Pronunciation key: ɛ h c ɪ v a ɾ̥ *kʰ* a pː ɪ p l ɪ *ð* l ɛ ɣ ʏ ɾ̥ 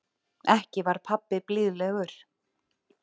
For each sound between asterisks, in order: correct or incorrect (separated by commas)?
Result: incorrect, correct